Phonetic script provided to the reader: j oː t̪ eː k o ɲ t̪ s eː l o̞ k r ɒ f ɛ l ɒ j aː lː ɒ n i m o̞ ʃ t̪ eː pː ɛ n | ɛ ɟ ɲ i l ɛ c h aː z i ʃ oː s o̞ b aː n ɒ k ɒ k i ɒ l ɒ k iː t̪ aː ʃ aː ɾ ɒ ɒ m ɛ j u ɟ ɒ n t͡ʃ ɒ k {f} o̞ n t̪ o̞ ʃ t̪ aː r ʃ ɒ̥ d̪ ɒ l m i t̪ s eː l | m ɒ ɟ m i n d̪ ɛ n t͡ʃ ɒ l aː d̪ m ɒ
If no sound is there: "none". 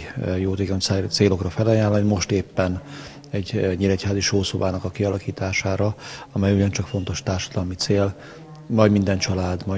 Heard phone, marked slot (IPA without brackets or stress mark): f